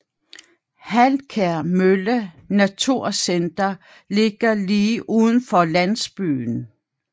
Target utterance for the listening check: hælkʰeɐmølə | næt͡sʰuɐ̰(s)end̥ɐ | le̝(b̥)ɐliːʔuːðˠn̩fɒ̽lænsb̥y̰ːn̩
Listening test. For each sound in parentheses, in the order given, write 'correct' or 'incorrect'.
correct, incorrect

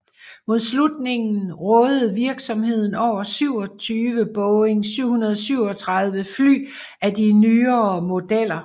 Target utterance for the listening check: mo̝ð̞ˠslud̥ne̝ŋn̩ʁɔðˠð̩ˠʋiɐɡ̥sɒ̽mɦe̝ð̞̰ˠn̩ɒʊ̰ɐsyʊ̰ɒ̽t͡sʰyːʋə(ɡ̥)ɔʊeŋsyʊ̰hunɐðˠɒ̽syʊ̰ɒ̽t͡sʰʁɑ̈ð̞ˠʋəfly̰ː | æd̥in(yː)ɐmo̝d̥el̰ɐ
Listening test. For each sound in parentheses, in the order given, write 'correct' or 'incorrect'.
incorrect, correct

